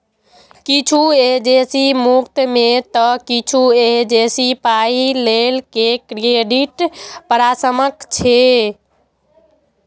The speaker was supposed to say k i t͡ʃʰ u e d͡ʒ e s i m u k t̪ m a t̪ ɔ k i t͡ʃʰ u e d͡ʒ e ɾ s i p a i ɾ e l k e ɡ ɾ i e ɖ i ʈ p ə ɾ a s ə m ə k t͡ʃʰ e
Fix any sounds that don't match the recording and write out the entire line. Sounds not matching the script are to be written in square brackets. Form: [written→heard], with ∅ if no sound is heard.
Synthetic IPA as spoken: k i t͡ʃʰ u e d͡ʒ e s i m u k t̪ m [a→e] t̪ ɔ k i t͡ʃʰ u e d͡ʒ e [ɾ→∅] s i p a i [ɾ→l] e l k e [ɡ→k] ɾ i e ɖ i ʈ p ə ɾ a s ə m ə k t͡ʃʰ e